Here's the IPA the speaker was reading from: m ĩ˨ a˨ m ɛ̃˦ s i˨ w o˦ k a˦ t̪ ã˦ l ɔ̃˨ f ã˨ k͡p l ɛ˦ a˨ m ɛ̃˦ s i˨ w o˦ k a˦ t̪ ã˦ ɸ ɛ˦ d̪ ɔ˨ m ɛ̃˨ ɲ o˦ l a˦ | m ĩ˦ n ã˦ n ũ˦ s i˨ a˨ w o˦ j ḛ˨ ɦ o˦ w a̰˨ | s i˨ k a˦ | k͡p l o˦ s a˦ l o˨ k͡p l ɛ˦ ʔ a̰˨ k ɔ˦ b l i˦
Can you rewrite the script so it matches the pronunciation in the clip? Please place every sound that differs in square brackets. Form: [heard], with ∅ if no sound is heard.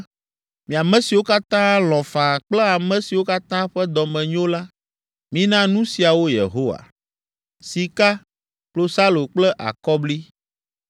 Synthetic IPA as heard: m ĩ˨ a˨ m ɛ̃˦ s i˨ w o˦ k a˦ t̪ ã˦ l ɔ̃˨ f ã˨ k͡p l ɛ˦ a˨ m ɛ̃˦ s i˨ w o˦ k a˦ t̪ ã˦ ɸ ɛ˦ d̪ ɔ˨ m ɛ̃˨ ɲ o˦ l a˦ | m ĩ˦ n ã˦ n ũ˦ s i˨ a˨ w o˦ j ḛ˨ ɦ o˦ w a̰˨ | s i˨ k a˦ | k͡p l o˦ s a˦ l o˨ k͡p l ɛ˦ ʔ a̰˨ k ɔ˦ b l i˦

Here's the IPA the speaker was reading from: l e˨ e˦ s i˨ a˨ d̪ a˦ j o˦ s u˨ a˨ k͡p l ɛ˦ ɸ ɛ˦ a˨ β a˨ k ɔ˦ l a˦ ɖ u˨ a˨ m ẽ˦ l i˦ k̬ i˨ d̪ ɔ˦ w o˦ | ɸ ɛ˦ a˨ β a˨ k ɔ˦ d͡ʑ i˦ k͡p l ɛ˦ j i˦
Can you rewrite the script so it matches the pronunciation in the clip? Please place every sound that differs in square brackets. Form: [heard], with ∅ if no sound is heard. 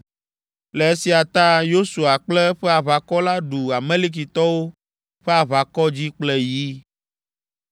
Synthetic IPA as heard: l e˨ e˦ s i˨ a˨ [t̪] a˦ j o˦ s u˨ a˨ k͡p l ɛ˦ ɸ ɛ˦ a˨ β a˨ k ɔ˦ l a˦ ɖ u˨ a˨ m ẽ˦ l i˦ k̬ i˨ [t̪] ɔ˦ w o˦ | ɸ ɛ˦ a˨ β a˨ k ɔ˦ d͡ʑ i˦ k͡p l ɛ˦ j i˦

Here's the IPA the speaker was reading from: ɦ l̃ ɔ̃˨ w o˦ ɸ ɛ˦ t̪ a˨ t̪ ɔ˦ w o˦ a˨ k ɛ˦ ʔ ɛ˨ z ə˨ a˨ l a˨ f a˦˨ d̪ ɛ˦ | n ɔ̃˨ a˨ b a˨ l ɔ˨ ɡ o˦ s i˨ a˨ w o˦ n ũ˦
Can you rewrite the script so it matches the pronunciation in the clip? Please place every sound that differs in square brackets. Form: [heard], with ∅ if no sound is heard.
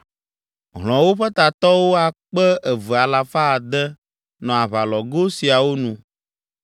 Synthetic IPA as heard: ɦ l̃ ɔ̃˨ w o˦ ɸ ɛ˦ t̪ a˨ t̪ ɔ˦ w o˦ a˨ [k͡p] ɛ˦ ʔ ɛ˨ [v] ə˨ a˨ l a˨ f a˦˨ d̪ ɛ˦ | n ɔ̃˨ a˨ [β] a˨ l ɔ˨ ɡ o˦ s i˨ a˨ w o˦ n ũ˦

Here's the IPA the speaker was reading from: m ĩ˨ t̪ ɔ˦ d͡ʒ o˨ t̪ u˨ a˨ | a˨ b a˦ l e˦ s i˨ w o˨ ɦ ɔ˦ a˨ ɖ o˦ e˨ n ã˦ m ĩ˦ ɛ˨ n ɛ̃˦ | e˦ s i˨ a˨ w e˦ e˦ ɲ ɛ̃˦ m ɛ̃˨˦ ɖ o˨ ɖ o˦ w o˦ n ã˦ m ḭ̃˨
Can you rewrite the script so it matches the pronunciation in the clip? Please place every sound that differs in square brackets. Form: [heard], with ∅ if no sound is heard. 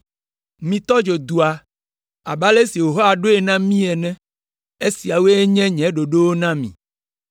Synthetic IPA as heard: m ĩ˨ t̪ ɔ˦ d͡ʒ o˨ [d̪] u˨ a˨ | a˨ b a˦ l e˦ s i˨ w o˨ ɦ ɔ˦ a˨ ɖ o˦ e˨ n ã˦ m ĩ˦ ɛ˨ n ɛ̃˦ | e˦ s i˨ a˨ w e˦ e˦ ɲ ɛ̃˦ [ɲ] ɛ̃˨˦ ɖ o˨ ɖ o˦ w o˦ n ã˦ m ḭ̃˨

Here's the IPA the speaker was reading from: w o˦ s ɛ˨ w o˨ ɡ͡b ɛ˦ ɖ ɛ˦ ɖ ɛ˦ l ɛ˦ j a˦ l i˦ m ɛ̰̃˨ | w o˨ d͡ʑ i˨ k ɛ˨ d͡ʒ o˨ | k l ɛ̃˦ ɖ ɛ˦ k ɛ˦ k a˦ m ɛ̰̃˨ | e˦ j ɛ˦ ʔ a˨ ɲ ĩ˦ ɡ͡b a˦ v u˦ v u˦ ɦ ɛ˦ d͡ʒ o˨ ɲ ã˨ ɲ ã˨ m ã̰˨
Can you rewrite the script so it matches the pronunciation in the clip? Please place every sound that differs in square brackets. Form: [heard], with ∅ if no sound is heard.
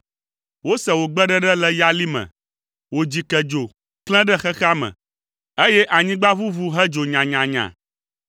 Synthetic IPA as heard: w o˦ s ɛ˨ w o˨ ɡ͡b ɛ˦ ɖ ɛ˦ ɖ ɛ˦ l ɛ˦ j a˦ l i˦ m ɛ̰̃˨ | w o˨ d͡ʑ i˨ k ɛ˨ d͡ʒ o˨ | k l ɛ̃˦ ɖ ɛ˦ [x] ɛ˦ [x] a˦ m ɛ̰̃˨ | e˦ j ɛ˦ ʔ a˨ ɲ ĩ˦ ɡ͡b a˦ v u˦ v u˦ ɦ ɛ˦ d͡ʒ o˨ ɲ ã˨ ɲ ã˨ [ɲ] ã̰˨

